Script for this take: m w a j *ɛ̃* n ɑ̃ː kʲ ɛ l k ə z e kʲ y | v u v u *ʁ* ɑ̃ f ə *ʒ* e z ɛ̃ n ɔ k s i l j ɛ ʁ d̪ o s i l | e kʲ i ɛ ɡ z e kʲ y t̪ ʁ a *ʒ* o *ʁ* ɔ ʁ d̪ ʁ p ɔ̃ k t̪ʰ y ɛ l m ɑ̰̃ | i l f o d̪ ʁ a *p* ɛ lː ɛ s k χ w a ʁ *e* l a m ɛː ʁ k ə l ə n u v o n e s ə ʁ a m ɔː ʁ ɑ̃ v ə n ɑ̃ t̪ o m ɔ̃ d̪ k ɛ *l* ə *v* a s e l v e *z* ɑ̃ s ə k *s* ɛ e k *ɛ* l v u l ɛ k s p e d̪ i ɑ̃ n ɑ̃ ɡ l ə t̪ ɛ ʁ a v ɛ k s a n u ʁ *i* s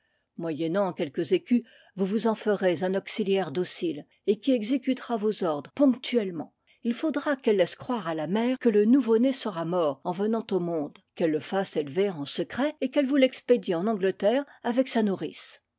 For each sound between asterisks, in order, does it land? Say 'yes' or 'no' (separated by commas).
no, no, no, no, no, no, no, no, no, no, no, yes, yes